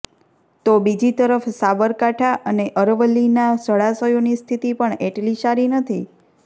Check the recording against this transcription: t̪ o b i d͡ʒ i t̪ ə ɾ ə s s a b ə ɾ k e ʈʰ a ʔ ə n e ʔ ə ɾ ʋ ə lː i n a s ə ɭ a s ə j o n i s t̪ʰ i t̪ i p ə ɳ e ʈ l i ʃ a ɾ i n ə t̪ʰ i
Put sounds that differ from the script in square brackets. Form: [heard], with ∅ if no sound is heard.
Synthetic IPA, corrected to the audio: t̪ o b i d͡ʒ i t̪ ə ɾ ə [f] s a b ə ɾ k [a] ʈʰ a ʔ ə n e ʔ ə ɾ ʋ ə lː i n a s ə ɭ a s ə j o n i s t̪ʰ i t̪ i p ə ɳ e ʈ l i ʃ a ɾ i n ə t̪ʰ i